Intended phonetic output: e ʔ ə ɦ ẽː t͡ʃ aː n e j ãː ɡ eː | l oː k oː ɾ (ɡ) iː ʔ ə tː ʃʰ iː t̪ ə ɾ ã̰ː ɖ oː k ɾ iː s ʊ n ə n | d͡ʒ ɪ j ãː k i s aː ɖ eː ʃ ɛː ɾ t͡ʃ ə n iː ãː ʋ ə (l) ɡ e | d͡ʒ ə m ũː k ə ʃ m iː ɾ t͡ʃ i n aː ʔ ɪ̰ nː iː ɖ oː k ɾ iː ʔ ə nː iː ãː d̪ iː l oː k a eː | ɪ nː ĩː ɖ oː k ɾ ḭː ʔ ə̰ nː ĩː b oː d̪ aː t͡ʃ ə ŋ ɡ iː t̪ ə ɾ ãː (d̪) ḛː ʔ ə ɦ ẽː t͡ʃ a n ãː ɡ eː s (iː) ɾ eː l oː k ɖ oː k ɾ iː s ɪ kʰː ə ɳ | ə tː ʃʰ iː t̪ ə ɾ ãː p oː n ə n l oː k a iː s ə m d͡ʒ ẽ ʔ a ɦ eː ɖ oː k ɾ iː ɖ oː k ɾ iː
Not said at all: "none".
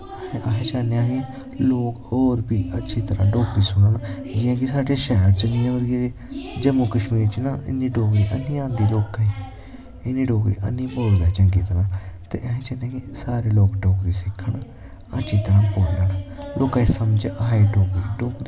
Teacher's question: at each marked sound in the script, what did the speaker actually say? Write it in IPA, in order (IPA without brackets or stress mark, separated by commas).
b, ɾ, t̪, aː